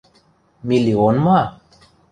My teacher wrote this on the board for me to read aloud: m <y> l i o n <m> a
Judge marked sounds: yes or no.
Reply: no, yes

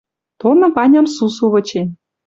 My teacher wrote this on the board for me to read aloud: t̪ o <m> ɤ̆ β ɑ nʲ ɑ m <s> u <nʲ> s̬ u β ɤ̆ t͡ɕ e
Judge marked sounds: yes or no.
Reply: no, yes, no

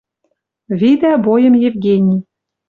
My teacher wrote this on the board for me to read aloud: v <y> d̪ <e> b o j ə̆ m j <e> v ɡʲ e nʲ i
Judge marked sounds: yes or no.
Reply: no, no, yes

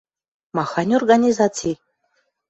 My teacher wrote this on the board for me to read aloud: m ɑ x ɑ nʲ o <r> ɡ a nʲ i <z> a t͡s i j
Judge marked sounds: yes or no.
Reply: yes, yes

